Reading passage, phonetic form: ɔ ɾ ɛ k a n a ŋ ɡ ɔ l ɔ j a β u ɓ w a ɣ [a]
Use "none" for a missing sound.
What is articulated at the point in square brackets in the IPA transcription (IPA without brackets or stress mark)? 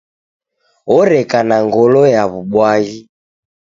i